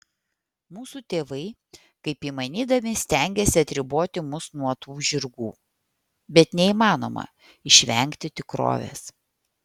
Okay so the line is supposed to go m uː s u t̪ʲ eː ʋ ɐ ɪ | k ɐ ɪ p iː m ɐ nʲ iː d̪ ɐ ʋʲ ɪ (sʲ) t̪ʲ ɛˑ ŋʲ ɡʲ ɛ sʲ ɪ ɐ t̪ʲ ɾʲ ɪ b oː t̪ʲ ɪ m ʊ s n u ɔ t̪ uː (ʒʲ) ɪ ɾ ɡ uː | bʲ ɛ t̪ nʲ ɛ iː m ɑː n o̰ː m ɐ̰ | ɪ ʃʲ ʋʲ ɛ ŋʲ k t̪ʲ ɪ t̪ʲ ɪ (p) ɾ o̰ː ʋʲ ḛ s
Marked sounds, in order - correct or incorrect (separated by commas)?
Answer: correct, correct, incorrect